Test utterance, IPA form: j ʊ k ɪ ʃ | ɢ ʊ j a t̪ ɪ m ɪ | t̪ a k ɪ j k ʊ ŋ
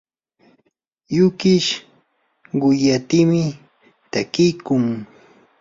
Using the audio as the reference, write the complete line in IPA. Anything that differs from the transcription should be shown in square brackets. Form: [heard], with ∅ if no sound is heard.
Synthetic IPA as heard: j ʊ k ɪ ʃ | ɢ ʊ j a t̪ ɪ m ɪ | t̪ a k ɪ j k ʊ ŋ